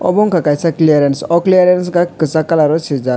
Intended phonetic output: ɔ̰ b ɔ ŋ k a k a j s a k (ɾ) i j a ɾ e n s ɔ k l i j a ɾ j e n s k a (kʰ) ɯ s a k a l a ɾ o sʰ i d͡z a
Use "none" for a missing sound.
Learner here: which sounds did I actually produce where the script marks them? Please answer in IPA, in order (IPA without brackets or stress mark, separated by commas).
l, k